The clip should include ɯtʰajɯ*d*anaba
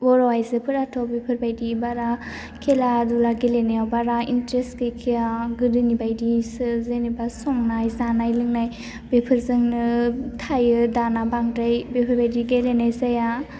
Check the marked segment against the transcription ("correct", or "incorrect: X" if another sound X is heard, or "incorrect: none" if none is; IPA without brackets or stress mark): correct